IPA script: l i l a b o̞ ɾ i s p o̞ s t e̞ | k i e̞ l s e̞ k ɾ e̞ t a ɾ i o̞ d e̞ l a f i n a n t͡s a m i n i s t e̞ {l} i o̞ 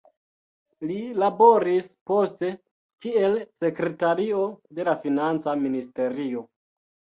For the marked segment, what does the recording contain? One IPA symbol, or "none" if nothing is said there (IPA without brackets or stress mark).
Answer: ɾ